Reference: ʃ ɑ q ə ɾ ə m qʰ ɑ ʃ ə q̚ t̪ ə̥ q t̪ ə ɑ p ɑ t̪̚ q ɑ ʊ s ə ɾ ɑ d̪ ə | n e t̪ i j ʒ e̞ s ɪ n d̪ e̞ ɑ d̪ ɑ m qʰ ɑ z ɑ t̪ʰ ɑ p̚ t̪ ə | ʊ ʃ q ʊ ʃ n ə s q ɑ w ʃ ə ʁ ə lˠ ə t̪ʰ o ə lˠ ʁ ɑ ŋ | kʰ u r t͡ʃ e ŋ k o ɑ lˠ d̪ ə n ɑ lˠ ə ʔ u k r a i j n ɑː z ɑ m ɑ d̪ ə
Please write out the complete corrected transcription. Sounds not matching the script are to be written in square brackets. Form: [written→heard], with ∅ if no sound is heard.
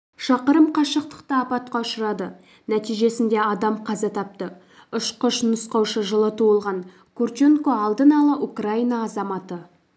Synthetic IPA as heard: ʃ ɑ q ə ɾ ə m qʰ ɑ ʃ ə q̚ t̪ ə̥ q t̪ ə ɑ p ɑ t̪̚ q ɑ ʊ [s→ʃ] ə ɾ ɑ d̪ ə | n [e→æ] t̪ i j ʒ e̞ s ɪ n d̪ e̞ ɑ d̪ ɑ m qʰ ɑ z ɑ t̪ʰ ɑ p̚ t̪ ə | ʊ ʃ q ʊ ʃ n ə s q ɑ w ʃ ə [ʁ→ʒ] ə lˠ ə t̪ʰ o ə lˠ ʁ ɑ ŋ | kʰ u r t͡ʃ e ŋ k o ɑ lˠ d̪ ə n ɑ lˠ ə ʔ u k r a i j n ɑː z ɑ m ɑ [d̪→t̪] ə